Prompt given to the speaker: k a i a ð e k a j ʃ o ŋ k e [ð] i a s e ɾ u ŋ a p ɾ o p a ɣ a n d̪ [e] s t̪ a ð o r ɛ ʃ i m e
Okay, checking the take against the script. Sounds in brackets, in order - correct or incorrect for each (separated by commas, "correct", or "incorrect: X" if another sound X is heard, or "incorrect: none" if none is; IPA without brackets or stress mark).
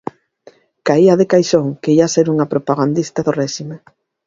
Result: incorrect: none, incorrect: i